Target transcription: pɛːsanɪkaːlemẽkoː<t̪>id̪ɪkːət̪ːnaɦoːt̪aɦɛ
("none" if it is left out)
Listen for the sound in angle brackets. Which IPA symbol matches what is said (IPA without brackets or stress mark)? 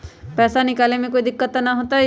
none